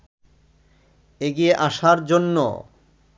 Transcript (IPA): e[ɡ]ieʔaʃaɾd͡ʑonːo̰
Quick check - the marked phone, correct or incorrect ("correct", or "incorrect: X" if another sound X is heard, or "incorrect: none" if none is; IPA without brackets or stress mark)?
correct